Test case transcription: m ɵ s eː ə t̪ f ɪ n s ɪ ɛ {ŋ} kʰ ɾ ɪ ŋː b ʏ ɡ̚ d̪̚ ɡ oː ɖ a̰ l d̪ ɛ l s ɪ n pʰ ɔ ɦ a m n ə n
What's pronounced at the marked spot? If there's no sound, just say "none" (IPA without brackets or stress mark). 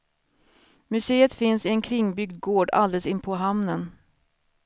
n